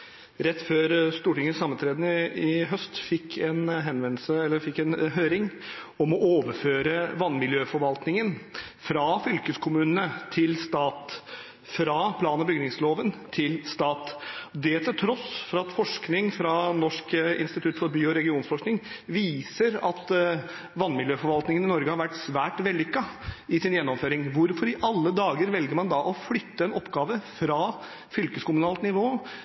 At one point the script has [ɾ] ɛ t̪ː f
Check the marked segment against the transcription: correct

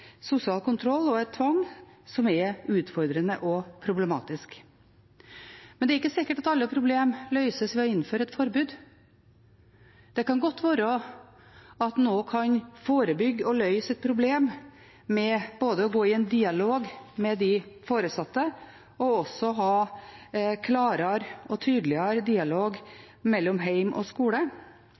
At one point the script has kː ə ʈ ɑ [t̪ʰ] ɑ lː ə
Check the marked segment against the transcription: incorrect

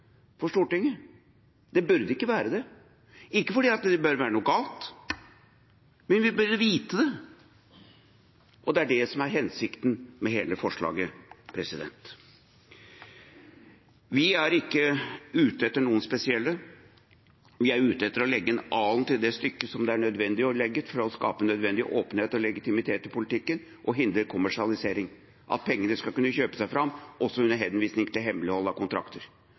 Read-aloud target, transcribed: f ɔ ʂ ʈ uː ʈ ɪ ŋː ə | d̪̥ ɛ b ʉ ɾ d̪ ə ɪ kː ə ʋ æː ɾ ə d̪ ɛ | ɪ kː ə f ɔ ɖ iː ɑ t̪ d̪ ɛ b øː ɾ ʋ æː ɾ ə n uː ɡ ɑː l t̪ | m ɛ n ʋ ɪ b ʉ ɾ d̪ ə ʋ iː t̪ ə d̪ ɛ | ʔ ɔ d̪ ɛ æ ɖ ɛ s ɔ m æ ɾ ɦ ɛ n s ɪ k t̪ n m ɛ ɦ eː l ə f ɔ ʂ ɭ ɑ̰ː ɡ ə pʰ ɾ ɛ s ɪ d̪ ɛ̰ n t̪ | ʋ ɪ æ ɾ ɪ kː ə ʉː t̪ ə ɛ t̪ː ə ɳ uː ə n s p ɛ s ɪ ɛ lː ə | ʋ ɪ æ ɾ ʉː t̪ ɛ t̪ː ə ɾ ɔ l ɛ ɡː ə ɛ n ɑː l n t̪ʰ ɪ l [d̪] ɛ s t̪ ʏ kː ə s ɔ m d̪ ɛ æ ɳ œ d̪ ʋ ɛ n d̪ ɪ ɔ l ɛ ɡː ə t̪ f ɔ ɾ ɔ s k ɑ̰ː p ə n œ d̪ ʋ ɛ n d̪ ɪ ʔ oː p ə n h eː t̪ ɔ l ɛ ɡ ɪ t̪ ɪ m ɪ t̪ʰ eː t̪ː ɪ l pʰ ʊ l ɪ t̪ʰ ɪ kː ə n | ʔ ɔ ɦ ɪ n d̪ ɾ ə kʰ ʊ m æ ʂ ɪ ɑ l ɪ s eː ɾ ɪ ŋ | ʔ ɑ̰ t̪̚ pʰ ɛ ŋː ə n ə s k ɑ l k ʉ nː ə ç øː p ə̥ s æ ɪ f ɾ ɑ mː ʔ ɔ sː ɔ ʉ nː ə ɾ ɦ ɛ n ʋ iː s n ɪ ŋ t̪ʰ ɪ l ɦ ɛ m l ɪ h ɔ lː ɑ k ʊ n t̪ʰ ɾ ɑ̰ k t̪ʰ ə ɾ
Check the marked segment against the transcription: correct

